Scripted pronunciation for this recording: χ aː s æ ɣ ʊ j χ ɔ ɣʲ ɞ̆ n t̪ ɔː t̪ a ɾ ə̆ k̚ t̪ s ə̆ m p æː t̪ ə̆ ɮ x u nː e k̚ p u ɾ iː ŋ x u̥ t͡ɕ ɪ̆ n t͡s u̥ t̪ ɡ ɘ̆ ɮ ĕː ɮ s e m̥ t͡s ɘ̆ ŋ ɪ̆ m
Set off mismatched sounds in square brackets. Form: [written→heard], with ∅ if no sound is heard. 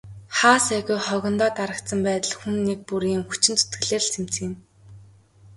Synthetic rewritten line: χ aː s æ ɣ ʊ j χ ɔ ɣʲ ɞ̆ n t̪ ɔː t̪ a ɾ ə̆ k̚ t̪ s ə̆ m p æː t̪ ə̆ ɮ x u nː e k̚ p u ɾ iː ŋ x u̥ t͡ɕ ɪ̆ n t͡s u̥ t̪ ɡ ɘ̆ ɮ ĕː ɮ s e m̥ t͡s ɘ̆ ŋ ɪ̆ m